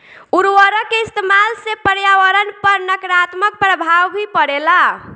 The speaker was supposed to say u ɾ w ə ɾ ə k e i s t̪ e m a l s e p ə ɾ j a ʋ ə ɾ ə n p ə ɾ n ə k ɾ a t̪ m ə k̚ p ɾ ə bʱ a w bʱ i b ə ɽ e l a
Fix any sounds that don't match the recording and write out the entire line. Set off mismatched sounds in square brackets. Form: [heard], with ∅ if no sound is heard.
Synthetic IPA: u ɾ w ə ɾ ə k e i s t̪ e m a l s e p ə ɾ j a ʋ ə ɾ ə n p ə ɾ n ə k ɾ a t̪ m ə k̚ p ɾ ə bʱ a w bʱ i [p] ə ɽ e l a